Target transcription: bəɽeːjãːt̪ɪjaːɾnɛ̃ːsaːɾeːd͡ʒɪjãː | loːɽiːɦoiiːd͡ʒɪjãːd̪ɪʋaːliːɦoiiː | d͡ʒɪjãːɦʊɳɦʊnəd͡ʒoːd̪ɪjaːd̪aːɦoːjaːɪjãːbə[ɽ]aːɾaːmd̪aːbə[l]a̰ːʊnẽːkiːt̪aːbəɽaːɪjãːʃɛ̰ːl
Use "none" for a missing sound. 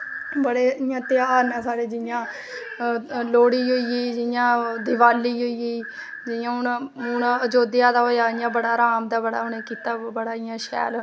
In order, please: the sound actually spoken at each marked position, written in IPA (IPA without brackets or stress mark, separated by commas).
ɽ, ɽ